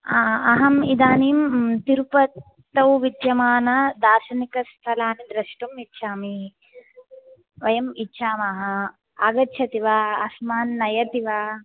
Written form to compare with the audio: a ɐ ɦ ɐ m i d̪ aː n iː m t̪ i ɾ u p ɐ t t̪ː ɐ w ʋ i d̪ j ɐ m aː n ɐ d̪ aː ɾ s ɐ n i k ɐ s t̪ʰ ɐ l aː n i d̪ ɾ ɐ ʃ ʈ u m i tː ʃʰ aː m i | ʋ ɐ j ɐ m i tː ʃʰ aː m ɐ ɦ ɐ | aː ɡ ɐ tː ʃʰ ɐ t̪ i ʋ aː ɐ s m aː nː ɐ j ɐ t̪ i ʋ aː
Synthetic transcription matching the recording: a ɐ ɦ ɐ m i d̪ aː n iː m t̪ i ɾ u p ɐ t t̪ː ɐ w ʋ i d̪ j ɐ m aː n ɐ d̪ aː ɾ ʃ ɐ n i k ɐ s t̪ʰ ɐ l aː n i d̪ ɾ ɐ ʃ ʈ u m i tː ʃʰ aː m i | ʋ ɐ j ɐ m i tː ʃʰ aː m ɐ ɦ ɐ | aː ɡ ɐ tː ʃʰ ɐ t̪ i ʋ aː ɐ s m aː nː ɐ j ɐ t̪ i ʋ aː